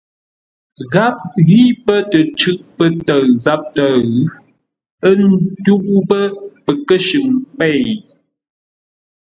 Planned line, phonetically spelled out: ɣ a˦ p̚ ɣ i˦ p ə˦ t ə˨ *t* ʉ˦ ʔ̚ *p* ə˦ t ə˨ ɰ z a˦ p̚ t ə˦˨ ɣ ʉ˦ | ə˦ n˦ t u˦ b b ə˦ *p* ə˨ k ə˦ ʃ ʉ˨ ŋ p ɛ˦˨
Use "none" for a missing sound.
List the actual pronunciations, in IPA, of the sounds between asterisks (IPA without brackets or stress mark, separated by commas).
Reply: t͡ʃ, p, p